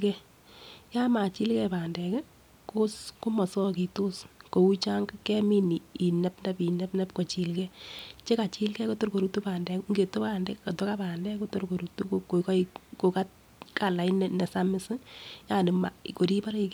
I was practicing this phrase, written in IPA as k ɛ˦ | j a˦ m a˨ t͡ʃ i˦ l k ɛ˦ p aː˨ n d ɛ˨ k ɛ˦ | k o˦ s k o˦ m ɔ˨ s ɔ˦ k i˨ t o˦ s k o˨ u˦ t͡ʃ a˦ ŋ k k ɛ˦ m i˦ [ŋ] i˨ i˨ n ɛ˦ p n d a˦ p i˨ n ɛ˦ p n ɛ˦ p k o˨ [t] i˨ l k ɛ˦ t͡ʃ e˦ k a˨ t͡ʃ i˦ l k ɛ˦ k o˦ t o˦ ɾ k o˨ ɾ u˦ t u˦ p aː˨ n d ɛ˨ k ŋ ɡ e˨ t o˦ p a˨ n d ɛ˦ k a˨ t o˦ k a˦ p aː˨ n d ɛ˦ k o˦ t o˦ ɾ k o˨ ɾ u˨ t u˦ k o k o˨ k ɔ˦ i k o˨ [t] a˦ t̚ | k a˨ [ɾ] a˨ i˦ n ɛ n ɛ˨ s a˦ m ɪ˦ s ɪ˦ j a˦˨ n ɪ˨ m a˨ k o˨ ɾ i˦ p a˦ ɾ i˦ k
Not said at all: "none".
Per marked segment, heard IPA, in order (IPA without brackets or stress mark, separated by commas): n, t͡ʃ, k, l